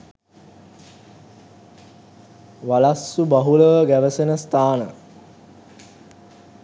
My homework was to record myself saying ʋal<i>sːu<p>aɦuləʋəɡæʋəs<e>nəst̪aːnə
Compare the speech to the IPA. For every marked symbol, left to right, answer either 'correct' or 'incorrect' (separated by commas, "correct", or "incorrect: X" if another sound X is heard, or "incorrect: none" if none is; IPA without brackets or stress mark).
incorrect: a, incorrect: b, correct